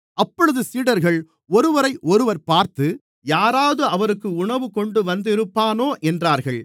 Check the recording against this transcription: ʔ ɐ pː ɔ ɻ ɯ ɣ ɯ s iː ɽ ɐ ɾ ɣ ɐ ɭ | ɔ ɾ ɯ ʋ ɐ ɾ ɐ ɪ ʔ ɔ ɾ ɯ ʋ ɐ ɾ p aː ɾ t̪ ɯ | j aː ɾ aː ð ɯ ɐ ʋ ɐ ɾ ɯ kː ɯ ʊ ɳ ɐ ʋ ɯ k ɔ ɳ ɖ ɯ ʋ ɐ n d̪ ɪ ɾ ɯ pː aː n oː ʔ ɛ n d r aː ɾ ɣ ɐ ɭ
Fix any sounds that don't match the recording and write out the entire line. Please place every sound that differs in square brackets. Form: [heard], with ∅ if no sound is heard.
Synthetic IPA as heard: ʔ ɐ pː ɔ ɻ ɯ [ð] ɯ s iː ɽ ɐ ɾ ɣ ɐ ɭ | ɔ ɾ ɯ ʋ ɐ ɾ ɐ ɪ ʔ ɔ ɾ ɯ ʋ ɐ ɾ p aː ɾ t̪ ɯ | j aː ɾ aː ð ɯ ɐ ʋ ɐ ɾ ɯ kː ɯ ʊ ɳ ɐ ʋ ɯ k ɔ ɳ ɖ ɯ ʋ ɐ n d̪ ɪ ɾ ɯ pː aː n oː ʔ ɛ n d r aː ɾ ɣ ɐ ɭ